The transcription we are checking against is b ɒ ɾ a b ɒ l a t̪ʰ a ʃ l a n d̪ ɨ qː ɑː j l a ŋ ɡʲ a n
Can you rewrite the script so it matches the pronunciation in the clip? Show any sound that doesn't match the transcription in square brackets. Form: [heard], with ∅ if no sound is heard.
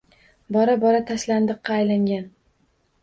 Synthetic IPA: b ɒ ɾ a b ɒ [ɾ] a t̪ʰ a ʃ l a n d̪ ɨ qː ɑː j l a ŋ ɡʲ a n